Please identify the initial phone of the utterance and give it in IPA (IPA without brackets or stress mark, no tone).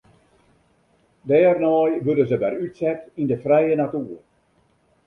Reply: d